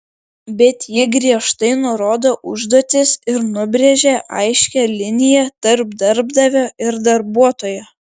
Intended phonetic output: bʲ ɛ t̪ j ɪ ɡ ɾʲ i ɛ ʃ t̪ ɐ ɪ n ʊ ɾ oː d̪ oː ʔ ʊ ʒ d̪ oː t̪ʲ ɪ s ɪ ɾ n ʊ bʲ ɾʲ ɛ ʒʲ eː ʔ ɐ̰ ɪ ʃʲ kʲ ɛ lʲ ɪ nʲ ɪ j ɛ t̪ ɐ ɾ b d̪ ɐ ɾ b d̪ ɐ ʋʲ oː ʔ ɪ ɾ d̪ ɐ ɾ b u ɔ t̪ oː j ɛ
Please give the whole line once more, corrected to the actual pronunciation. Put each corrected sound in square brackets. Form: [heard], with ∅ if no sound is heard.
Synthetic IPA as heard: bʲ ɛ t̪ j ɪ ɡ ɾʲ i ɛ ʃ t̪ ɐ ɪ n ʊ ɾ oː d̪ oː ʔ ʊ ʒ d̪ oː t̪ʲ ɪ s ɪ ɾ n ʊ bʲ ɾʲ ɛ ʒʲ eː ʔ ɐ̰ ɪ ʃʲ kʲ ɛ lʲ ɪ nʲ ɪ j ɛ t̪ ɐ ɾ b d̪ ɐ ɾ b d̪ ɐ ʋʲ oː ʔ ɪ ɾ d̪ ɐ ɾ b u ɔ t̪ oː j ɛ